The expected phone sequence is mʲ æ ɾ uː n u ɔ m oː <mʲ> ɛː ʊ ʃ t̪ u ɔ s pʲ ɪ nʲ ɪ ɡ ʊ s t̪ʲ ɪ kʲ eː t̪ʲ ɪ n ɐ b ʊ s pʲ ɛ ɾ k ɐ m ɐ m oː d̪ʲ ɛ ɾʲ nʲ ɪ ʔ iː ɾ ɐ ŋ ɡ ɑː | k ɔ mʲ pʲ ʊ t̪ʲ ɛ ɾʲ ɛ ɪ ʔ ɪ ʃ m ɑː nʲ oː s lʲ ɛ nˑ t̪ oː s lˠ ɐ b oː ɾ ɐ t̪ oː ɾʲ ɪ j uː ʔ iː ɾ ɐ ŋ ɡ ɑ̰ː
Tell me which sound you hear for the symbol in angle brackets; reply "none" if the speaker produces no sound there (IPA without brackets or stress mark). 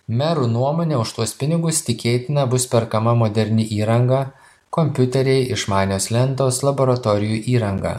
nʲ